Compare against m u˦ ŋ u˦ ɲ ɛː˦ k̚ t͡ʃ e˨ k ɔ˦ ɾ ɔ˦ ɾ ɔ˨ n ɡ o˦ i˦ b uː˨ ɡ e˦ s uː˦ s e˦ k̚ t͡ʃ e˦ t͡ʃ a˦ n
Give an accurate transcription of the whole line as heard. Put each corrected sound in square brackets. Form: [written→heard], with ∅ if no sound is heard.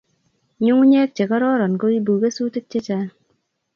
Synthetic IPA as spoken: [m→ɲ] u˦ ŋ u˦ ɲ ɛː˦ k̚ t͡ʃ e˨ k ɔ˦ ɾ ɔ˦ ɾ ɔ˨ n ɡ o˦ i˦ b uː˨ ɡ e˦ s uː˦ [s→t] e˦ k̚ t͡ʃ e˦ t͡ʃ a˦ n

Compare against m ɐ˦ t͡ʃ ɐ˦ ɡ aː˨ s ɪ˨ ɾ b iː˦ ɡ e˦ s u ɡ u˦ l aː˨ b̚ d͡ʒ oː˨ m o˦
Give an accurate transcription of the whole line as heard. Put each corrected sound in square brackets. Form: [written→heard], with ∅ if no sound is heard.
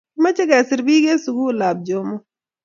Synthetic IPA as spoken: m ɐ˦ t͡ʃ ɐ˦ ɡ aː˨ s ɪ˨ ɾ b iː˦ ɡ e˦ s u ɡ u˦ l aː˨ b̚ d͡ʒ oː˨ m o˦

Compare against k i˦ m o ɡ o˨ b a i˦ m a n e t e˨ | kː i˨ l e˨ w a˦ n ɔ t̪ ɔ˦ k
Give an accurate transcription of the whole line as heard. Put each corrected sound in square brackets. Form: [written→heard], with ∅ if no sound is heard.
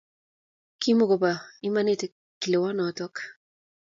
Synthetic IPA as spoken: k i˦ m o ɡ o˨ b a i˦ m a n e t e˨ | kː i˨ l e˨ w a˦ n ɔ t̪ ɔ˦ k

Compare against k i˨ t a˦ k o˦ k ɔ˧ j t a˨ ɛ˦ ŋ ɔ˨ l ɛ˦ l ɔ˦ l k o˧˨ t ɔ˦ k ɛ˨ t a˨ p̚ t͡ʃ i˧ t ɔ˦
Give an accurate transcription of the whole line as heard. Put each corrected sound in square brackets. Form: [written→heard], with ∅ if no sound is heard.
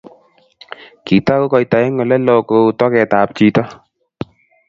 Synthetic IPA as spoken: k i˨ t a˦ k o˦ k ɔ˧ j t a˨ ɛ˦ ŋ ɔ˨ l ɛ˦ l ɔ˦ [l→∅] k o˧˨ t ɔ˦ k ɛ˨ t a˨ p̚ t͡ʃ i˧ t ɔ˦

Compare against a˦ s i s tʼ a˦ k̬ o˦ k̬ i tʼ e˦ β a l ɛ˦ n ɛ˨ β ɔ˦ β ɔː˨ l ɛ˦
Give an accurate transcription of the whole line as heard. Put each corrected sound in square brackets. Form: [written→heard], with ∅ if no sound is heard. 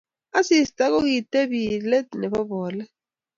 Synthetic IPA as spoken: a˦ s i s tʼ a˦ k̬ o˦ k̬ i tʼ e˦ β [a→i] l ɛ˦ n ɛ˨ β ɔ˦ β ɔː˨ l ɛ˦

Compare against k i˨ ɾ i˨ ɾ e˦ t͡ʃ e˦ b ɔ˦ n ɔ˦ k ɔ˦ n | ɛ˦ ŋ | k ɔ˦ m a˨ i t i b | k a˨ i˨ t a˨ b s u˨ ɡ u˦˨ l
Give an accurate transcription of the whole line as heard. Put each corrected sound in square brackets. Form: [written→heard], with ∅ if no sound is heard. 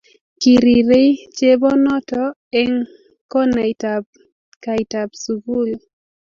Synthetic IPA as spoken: k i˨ ɾ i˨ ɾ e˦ t͡ʃ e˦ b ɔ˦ n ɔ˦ [k→t] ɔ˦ [n→∅] | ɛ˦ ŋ | k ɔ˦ [m→n] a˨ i t [i→a] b | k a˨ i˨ t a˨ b s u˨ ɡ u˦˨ l

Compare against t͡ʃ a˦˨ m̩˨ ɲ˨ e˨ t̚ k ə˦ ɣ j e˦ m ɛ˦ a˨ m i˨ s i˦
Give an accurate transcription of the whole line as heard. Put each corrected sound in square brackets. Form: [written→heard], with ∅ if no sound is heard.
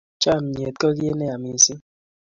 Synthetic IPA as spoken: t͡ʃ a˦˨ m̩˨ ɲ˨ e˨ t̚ k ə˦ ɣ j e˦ [m→n] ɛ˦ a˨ m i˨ s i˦

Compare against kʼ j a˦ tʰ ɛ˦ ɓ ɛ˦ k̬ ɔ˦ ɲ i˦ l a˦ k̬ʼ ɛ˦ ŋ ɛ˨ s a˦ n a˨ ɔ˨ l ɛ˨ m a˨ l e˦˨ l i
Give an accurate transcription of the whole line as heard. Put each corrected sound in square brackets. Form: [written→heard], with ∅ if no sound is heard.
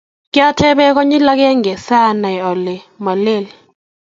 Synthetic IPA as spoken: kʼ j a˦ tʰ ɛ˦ ɓ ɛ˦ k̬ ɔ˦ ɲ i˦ l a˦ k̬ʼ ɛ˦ ŋ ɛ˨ s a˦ n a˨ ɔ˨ l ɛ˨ m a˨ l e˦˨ l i

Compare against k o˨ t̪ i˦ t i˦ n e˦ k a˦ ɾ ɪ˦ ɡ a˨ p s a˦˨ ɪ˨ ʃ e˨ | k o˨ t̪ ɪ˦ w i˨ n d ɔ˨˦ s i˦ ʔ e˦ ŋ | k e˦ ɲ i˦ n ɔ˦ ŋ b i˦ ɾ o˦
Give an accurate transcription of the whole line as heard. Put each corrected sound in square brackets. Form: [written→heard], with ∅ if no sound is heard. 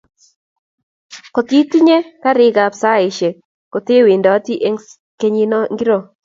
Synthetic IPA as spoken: k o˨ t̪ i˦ t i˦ [n→ɲ] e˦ k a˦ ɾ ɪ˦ ɡ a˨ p s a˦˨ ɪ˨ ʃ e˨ | k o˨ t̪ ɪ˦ w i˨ n d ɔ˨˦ [s→t] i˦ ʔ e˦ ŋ | k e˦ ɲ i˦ n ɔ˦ ŋ [b→ɡ] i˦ ɾ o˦

